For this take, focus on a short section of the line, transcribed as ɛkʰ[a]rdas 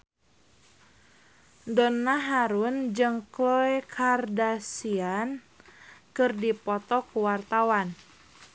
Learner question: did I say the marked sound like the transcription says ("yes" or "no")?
yes